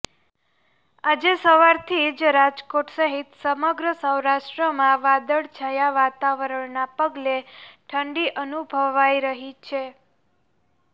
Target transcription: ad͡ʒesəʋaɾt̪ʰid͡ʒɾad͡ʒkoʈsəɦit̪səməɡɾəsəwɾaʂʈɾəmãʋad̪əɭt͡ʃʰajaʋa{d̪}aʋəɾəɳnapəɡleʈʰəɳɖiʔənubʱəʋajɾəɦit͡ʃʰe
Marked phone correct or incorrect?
incorrect